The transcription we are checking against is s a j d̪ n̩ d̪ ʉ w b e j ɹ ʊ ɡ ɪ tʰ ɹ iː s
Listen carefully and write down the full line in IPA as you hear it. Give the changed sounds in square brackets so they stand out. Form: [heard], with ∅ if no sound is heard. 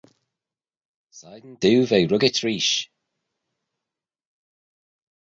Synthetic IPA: s a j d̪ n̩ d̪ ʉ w [v] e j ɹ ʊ ɡ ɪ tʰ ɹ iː [ʃ]